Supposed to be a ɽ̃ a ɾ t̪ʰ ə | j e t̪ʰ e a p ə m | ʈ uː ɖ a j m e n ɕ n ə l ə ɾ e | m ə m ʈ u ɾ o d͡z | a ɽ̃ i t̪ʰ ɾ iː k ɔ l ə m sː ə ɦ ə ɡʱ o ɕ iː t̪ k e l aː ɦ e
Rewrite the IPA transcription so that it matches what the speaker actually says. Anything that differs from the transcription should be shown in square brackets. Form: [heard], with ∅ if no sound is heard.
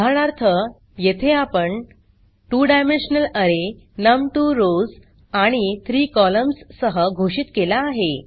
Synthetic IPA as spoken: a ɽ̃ a ɾ t̪ʰ ə | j e t̪ʰ e a p ə [ɳ] | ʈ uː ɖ a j m e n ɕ n ə l ə ɾ e | [n] ə m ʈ u ɾ o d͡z | a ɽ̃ i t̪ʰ ɾ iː k ɔ l ə m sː ə ɦ ə ɡʱ o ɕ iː t̪ k e l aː ɦ e